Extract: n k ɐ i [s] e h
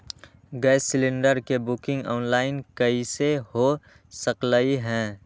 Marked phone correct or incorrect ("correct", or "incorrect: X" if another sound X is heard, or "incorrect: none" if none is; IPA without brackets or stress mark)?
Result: correct